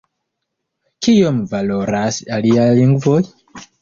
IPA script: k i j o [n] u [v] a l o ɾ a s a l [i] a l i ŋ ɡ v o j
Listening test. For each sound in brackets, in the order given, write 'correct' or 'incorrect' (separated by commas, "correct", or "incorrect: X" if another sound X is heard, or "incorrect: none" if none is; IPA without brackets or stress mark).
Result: incorrect: m, correct, correct